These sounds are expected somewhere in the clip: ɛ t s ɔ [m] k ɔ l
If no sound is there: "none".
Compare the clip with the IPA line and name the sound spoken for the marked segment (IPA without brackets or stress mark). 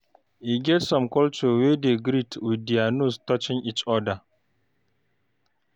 m